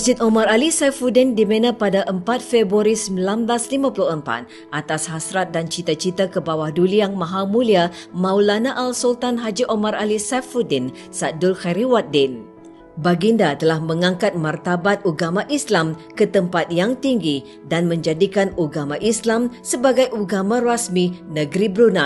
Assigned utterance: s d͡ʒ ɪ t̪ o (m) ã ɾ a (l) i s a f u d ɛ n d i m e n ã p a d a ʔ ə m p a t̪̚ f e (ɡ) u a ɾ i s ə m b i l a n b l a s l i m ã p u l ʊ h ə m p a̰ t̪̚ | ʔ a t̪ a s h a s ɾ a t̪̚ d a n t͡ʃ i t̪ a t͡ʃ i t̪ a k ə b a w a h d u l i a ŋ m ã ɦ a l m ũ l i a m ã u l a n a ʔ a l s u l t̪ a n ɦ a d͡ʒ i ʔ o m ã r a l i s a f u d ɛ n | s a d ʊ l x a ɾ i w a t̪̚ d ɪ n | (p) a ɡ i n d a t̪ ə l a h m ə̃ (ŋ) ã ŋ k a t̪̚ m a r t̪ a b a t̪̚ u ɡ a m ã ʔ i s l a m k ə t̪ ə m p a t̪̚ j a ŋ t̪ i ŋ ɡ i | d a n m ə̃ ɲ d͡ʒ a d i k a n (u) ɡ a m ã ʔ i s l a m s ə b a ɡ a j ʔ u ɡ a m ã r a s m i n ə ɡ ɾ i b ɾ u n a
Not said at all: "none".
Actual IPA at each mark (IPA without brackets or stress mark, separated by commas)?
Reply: m, l, b, b, ŋ, u